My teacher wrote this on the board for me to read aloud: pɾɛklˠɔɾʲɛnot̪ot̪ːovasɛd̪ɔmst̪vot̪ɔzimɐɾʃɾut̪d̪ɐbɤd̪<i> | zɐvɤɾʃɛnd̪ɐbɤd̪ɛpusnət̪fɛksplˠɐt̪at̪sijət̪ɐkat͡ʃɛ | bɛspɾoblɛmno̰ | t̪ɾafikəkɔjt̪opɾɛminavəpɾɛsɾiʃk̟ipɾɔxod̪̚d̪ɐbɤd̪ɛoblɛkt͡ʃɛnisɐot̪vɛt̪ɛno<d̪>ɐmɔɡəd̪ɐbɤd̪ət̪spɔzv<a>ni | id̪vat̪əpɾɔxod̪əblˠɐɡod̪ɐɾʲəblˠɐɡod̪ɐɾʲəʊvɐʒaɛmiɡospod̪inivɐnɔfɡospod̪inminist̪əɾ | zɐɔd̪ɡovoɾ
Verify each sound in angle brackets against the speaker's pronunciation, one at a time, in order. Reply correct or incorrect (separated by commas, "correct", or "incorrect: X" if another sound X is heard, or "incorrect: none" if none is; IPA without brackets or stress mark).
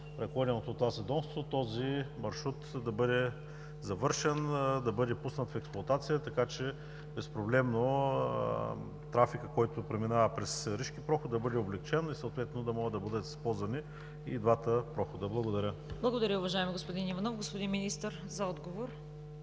incorrect: ɛ, correct, incorrect: ɐ